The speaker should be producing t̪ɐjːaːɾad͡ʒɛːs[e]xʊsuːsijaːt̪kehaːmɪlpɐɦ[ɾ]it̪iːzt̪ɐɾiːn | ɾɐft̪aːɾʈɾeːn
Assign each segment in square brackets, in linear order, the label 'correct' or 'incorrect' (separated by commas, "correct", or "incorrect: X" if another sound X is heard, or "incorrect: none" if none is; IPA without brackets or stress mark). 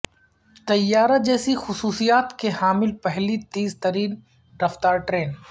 incorrect: i, incorrect: l